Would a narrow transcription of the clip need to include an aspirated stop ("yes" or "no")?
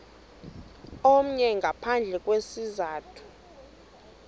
yes